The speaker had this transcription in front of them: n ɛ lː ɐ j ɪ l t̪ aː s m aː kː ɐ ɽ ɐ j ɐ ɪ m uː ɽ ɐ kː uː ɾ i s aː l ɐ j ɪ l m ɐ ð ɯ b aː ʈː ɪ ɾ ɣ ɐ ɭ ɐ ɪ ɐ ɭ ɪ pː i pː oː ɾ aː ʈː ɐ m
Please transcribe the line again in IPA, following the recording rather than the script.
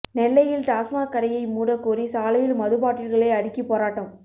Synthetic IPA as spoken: n ɛ lː ɐ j ɪ l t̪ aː s m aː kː ɐ ɽ ɐ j ɐ ɪ m uː ɽ ɐ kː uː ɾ i s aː l ɐ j ɪ l m ɐ ð ɯ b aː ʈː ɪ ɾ ɣ ɐ ɭ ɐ ɪ ɐ ɽ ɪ kː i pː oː ɾ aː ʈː ɐ m

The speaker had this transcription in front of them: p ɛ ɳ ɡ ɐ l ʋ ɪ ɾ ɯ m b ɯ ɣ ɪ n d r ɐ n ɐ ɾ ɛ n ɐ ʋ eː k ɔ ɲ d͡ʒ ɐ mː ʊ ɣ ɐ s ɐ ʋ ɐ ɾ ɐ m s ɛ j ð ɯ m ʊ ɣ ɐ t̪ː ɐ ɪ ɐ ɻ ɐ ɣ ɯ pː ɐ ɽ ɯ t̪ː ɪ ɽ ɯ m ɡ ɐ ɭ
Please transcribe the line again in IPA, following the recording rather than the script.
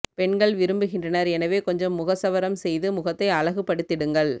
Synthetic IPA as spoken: p ɛ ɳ ɡ ɐ ɭ ʋ ɪ ɾ ɯ m b ɯ ɣ ɪ n d r ɐ n ɐ ɾ ɛ n ɐ ʋ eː k ɔ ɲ d͡ʒ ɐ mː ʊ ɣ ɐ s ɐ ʋ ɐ ɾ ɐ m s ɛ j ð ɯ m ʊ ɣ ɐ t̪ː ɐ ɪ ɐ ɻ ɐ ɣ ɯ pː ɐ ɽ ɯ t̪ː ɪ ɽ ɯ ŋ ɡ ɐ ɭ

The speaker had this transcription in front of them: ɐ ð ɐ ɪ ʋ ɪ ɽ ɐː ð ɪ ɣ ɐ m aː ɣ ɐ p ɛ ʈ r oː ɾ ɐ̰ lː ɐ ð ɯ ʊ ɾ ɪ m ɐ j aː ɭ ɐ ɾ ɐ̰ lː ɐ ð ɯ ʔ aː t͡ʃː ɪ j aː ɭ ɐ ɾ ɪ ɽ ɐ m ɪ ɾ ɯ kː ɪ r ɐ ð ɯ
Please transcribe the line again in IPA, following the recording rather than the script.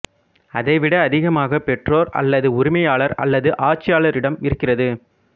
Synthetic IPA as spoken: ɐ ð ɐ ɪ ʋ ɪ ɽ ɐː ð ɪ ɣ ɐ m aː ɣ ɐ p ɛ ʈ r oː ɾ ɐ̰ lː ɐ ð ɯ ʊ ɾ ɪ m ɐ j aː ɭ ɐ ɾ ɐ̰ lː ɐ ð ɯ ʔ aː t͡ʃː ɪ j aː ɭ ɐ ɾ ɪ ɽ ɐ m ɪ ɾ ɯ kː ɪ r ɐ ð ɯ

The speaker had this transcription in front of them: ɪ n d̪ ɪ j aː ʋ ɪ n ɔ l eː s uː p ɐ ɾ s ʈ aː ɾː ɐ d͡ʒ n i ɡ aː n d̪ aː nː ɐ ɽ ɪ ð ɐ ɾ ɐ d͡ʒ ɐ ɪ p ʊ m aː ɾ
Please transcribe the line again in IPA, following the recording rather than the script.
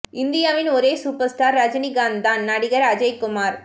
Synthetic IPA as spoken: ɪ n d̪ ɪ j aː ʋ ɪ n ɔ ɾ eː s uː p ɐ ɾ s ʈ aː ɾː ɐ d͡ʒ n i ɡ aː n d̪ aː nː ɐ ɽ ɪ ɣ ɐ ɾ ɐ d͡ʒ ɐ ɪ k ʊ m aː ɾ

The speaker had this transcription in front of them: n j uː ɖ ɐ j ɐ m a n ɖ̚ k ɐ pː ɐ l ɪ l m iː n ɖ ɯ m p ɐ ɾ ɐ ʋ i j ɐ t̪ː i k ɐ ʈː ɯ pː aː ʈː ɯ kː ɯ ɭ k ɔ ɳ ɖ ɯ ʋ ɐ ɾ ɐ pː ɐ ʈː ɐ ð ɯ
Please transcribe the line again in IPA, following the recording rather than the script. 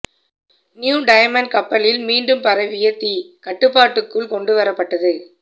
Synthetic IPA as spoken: n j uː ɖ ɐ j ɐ m ɐ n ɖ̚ k ɐ pː ɐ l ɪ l m iː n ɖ ɯ m p ɐ ɾ ɐ ʋ ɪ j ɐ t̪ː i k ɐ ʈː ɯ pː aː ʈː ɯ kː ɯ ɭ k ɔ ɳ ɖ ɯ ʋ ɐ ɾ ɐ pː ɐ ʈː ɐ ð ɯ

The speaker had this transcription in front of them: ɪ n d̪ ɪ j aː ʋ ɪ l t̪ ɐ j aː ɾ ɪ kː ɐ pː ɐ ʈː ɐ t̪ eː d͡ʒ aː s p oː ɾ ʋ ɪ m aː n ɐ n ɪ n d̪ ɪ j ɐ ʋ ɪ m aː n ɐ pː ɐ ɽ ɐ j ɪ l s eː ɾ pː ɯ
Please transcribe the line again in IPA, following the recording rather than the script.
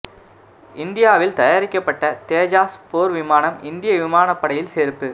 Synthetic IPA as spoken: ɪ n d̪ ɪ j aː ʋ ɪ l t̪ ɐ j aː ɾ ɪ kː ɐ pː ɐ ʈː ɐ t̪ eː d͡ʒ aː s p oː ɾ ʋ ɪ m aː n ɐ m ɪ n d̪ ɪ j ɐ ʋ ɪ m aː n ɐ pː ɐ ɽ ɐ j ɪ l s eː ɾ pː ɯ

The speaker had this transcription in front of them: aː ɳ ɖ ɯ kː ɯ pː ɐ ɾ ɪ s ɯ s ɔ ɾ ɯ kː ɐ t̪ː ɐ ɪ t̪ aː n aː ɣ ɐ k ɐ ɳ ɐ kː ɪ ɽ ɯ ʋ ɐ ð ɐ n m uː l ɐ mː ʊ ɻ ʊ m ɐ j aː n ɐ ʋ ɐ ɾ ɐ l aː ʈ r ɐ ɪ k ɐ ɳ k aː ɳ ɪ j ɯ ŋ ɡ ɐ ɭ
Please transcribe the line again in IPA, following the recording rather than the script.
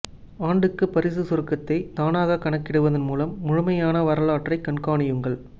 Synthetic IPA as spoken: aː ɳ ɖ ɯ kː ɯ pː ɐ ɾ ɪ s ɯ s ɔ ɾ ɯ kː ɐ t̪ː ɐ ɪ t̪ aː n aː ɣ ɐ k ɐ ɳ ɐ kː ɪ ɽ ɯ ʋ ɐ ð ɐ n m uː l ɐ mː ʊ ɻ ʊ m ɐ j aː n ɐ ʋ ɐ ɾ ɐ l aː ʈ r ɐ ɪ k ɐ ɳ k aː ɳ ɪ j ɯ ŋ ɡ ɐ ɭ

